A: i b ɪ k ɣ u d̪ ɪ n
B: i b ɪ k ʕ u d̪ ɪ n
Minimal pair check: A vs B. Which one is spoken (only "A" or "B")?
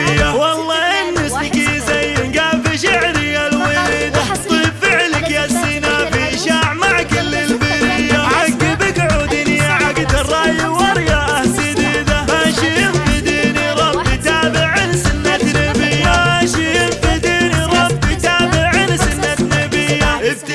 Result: B